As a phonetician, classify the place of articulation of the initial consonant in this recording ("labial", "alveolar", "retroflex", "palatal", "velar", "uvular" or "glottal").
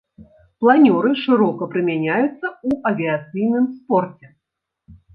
labial